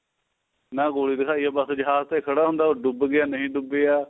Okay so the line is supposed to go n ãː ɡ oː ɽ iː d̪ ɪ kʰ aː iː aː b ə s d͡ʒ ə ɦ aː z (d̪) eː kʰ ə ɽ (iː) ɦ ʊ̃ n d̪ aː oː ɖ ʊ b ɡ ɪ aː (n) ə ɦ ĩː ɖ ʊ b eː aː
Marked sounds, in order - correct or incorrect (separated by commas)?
incorrect, incorrect, correct